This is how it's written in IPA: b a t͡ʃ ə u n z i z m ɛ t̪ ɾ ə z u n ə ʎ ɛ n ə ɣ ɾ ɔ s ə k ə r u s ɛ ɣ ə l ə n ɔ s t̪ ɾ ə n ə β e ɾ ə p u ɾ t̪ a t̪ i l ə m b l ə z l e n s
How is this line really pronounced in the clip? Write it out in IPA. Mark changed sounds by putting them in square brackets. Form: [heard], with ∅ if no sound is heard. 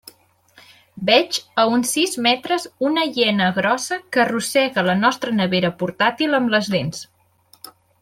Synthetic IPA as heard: b [ɛ] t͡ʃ ə u n [s] i z m ɛ t̪ ɾ ə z u n ə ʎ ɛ n ə ɣ ɾ ɔ s ə k ə r u s ɛ ɣ ə l ə n ɔ s t̪ ɾ ə n ə β e ɾ ə p u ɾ t̪ a t̪ i l ə m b l ə z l e n s